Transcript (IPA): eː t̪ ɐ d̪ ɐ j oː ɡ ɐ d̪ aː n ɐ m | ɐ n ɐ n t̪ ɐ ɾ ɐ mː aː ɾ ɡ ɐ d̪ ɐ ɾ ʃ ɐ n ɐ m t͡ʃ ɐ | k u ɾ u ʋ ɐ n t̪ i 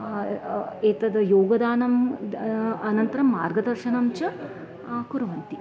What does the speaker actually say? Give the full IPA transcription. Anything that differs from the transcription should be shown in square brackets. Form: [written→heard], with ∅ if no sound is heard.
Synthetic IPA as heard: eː t̪ ɐ d̪ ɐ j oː ɡ ɐ d̪ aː n ɐ m | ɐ n ɐ n t̪ ɐ ɾ ɐ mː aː ɾ ɡ ɐ d̪ ɐ ɾ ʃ ɐ n ɐ m t͡ʃ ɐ | k u ɾ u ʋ ɐ n t̪ i